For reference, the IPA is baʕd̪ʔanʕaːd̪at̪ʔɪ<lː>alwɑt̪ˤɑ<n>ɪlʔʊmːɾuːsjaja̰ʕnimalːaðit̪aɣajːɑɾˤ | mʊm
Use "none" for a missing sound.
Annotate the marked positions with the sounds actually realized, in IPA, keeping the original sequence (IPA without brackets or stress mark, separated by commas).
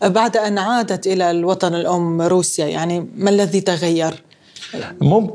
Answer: l, n